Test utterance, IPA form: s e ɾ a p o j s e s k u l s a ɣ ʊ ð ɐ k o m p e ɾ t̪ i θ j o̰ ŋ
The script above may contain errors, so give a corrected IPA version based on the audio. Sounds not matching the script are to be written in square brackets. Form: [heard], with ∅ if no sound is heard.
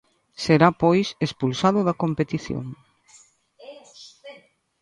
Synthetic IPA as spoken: s e ɾ a p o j s e s [p] u l s a [ð] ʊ ð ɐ k o m p e [∅] t̪ i θ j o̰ ŋ